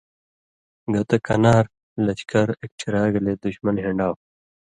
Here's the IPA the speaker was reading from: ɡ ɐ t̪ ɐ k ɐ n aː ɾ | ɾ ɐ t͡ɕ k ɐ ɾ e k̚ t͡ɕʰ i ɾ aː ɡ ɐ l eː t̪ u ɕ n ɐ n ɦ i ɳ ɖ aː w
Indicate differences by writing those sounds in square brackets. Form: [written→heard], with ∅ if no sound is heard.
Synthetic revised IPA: ɡ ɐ t̪ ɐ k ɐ n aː ɾ | [ɾ→l] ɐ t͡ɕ k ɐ ɾ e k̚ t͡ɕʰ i ɾ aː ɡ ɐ l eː [t̪→d̪] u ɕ [n→m] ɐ n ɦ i ɳ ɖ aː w